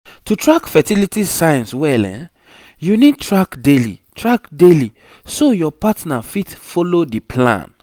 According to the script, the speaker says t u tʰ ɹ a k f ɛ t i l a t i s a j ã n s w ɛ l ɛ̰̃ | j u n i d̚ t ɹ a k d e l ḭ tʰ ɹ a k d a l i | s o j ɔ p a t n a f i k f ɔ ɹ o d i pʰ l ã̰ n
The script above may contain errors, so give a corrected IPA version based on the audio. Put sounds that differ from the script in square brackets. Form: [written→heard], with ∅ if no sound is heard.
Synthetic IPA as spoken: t u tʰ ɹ a k f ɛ t i l [a→i] t i s a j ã n s w ɛ l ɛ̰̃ | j u n i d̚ t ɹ a k d e l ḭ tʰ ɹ a k d [a→e] l i | s o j ɔ p a t n a f i [k→t] f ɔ [ɹ→l] o d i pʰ l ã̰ n